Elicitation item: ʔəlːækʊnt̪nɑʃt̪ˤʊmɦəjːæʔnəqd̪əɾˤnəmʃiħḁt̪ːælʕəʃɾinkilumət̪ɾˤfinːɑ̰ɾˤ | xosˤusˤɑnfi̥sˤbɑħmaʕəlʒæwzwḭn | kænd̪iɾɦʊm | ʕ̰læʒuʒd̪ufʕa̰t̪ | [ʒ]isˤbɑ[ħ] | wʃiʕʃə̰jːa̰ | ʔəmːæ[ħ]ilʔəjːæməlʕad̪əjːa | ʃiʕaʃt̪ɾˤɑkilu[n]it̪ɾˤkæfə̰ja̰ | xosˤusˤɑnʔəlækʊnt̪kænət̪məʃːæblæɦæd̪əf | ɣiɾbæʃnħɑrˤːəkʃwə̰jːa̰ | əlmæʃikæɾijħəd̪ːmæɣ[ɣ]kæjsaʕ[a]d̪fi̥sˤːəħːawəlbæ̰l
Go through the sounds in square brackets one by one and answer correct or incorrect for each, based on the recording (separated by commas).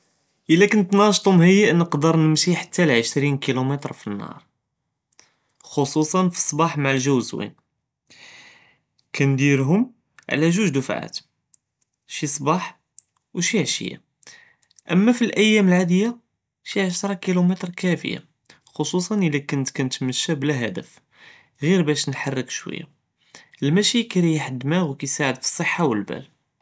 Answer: incorrect, correct, incorrect, incorrect, incorrect, incorrect